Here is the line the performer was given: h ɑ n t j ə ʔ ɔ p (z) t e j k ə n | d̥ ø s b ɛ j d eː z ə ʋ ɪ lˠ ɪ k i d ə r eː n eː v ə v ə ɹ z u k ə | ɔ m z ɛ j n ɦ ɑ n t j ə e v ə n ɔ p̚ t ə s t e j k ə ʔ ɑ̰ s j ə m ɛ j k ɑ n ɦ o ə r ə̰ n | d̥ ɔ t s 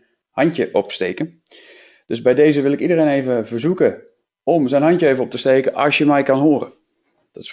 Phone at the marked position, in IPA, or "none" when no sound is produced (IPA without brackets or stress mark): s